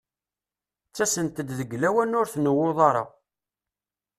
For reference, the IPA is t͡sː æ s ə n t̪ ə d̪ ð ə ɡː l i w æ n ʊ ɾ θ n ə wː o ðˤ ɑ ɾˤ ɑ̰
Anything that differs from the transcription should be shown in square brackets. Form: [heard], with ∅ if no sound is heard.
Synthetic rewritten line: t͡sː æ s ə n t̪ ə d̪ ð ə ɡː l [æ] w æ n ʊ ɾ θ n ə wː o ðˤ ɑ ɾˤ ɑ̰